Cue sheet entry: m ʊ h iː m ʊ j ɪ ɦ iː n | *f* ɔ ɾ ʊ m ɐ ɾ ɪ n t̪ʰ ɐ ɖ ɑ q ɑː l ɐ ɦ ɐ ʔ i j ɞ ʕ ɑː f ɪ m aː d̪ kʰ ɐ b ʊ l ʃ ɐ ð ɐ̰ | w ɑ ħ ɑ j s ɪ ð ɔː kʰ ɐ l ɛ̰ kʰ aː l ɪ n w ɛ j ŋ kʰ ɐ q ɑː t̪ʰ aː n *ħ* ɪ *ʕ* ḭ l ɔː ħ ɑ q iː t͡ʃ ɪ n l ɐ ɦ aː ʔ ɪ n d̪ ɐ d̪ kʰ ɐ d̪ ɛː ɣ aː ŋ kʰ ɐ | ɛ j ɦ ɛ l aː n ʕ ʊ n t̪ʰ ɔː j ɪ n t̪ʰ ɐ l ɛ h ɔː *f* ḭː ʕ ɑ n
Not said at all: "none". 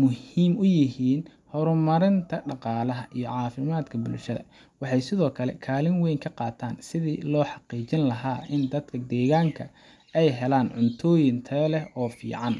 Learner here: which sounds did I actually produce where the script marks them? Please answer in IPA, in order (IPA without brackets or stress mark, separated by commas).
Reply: h, s, ð, f